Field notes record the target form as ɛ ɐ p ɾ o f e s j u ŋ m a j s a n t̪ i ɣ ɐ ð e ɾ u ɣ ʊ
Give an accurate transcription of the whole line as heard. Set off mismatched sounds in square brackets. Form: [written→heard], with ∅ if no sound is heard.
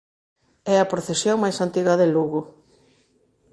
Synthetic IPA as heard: ɛ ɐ p ɾ o [f→θ] e s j [u→o] ŋ m a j s a n t̪ i ɣ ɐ ð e [ɾ→l] u ɣ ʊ